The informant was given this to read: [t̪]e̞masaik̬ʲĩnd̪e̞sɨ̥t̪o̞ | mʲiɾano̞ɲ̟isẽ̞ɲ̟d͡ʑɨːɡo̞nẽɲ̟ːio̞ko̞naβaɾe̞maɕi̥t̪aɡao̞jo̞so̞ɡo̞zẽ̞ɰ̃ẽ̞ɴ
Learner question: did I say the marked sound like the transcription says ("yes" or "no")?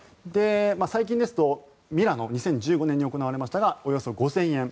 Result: no